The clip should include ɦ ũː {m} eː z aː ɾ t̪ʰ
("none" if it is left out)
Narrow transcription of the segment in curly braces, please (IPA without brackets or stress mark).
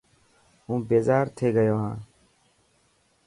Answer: b